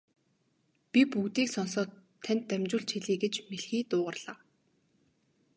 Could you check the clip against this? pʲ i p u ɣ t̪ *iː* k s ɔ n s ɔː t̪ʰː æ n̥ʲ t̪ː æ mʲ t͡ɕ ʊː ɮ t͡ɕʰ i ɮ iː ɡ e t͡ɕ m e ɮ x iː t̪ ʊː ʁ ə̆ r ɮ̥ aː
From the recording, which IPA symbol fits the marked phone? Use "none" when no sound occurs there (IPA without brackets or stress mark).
iː